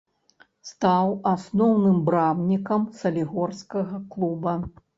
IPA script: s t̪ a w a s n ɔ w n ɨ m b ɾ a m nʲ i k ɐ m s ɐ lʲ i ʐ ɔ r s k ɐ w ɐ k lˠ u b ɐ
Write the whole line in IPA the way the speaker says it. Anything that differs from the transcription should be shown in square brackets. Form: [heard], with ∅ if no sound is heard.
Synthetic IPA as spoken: s t̪ a w a s n ɔ w n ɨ m b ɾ a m nʲ i k ɐ m s ɐ lʲ i [ɣ] ɔ r s k ɐ [ɣ] ɐ k lˠ u b ɐ